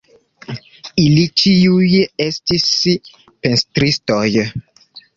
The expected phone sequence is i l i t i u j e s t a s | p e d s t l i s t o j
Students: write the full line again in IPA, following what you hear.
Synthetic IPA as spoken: i l i t͡ʃ i u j e s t i s | p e n s t ɾ i s t o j